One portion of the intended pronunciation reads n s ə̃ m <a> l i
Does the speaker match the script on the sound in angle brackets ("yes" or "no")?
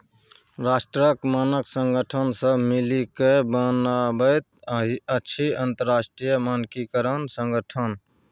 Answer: no